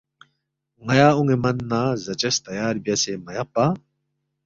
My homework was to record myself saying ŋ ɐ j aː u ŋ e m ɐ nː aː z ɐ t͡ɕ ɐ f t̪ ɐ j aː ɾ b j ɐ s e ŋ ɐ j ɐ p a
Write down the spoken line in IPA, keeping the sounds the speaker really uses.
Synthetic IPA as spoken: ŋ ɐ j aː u ŋ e m ɐ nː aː z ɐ t͡ɕ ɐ s t̪ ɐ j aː ɾ b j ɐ s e m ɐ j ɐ p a